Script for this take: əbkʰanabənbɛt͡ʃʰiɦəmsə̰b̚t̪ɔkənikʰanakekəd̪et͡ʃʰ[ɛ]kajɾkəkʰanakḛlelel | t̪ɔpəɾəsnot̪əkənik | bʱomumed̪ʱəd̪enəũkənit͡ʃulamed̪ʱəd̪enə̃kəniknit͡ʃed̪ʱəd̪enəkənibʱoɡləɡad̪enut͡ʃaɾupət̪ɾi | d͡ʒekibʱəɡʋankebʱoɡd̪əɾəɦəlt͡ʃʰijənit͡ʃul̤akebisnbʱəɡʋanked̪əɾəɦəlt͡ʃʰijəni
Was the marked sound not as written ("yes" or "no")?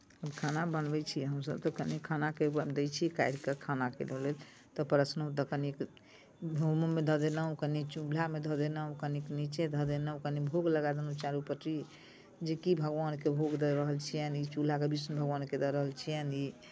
yes